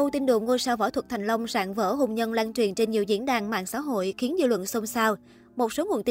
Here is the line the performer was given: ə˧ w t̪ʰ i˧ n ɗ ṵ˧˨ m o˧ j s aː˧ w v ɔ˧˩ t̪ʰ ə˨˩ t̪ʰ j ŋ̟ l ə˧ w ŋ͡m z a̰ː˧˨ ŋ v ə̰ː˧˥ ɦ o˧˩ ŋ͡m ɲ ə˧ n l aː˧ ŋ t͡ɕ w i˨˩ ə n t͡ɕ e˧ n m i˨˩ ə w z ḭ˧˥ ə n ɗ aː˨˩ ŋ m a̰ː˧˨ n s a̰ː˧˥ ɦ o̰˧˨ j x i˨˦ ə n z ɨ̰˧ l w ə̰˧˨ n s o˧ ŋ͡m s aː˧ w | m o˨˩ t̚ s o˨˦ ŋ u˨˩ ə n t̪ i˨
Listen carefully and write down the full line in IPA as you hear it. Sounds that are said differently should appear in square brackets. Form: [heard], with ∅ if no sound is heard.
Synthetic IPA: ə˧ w [t̪] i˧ n ɗ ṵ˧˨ [ŋ] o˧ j s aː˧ w v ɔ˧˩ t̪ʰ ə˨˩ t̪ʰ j ŋ̟ l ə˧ w ŋ͡m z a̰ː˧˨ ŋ v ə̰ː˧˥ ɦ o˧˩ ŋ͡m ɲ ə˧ n l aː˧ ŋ t͡ɕ w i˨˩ ə n t͡ɕ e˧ n [ɲ] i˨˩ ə w z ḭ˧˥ ə n ɗ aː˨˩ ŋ m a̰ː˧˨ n s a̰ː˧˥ ɦ o̰˧˨ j x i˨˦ ə n z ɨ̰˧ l w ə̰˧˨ n s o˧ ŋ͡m s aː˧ w | m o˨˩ t̚ s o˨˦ ŋ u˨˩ ə n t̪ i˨